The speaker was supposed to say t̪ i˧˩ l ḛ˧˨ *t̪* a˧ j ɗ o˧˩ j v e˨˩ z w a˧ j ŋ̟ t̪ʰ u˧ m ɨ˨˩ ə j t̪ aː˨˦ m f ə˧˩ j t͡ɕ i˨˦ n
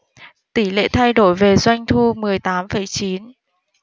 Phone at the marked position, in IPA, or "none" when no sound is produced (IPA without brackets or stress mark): t̪ʰ